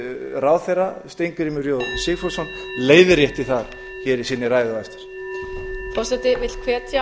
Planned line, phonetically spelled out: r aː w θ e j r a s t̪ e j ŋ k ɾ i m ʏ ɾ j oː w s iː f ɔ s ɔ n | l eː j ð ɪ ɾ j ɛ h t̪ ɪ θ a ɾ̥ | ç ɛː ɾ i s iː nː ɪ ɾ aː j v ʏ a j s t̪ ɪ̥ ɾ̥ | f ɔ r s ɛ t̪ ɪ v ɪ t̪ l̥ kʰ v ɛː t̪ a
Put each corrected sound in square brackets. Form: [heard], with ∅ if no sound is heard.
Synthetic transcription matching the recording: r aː w θ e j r a s t̪ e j ŋ k ɾ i m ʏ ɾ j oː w s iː f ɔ s ɔ n | l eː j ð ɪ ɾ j ɛ h t̪ ɪ θ a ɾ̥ | ç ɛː ɾ i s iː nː ɪ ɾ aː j [ð] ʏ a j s t̪ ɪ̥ ɾ̥ | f ɔ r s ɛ t̪ ɪ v ɪ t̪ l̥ kʰ v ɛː t̪ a